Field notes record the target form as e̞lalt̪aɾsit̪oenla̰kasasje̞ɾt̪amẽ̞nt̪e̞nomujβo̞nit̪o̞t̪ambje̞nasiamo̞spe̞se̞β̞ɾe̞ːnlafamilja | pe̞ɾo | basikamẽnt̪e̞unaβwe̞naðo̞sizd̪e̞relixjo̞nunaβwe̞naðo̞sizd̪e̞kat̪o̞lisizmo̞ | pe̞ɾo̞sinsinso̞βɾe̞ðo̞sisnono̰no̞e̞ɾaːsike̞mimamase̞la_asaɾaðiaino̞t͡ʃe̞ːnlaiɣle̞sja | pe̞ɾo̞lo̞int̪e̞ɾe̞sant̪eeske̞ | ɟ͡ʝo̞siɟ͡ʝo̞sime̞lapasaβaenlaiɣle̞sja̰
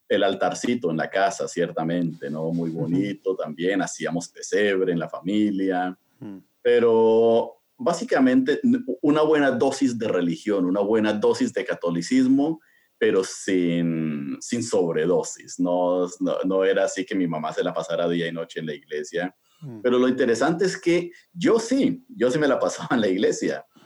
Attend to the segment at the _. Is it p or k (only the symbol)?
p